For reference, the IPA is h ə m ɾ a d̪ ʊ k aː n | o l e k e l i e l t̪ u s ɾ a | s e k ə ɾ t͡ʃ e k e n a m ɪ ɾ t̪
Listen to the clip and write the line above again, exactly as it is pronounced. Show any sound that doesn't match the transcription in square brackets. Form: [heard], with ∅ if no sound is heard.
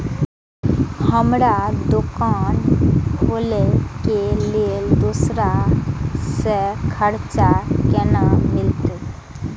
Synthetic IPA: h ə m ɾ a d̪ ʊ k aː n | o l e k e l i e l [d̪] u s ɾ a | s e [kʰ] ə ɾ t͡ʃ [a] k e n a m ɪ [l] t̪